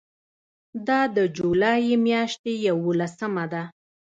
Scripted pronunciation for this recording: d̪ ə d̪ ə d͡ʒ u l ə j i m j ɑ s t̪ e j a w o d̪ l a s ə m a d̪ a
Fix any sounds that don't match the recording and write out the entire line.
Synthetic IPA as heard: d̪ ɑ d̪ ə d͡ʒ u l ɑ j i m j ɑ ʃ t̪ e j a w o l a s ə m a d̪ a